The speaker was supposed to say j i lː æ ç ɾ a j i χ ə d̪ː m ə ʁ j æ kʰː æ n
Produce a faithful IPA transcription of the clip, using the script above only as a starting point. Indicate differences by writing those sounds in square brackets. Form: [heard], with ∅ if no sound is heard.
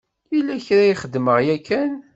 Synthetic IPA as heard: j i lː æ ç ɾ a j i χ ə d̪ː m ə ʁ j æ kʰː æ n